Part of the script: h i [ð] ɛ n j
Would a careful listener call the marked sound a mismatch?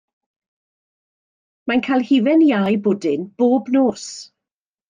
yes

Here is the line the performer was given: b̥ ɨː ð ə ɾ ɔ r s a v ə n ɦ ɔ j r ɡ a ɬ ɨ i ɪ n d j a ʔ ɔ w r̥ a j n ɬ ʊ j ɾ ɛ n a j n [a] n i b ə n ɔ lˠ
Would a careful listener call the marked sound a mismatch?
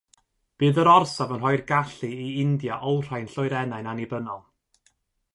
no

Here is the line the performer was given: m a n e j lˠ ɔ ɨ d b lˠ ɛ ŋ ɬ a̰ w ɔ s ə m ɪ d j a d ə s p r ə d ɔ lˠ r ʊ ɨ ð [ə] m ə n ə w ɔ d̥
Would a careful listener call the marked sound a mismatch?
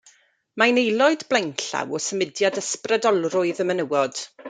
no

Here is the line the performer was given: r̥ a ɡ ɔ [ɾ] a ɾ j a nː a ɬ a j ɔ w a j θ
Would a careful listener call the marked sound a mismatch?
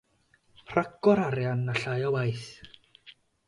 no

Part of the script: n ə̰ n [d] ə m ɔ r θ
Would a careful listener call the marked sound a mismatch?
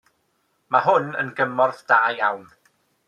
yes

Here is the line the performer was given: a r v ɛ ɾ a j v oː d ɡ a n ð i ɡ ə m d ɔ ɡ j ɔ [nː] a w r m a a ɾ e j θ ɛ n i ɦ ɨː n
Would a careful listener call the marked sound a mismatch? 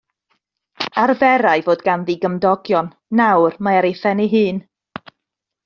no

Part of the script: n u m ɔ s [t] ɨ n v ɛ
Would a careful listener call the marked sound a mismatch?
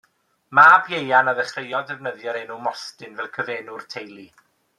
no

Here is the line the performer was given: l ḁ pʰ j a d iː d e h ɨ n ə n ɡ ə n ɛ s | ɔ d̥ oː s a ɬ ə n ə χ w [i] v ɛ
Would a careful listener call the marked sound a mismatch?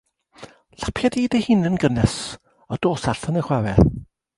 yes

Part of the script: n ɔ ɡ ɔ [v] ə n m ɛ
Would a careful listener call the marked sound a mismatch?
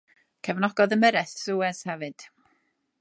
yes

